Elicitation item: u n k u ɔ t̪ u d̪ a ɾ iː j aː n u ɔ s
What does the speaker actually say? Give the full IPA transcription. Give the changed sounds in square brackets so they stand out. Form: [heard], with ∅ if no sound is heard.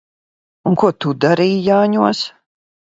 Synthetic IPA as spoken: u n k u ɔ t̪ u d̪ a ɾ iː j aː [ɲ] u ɔ s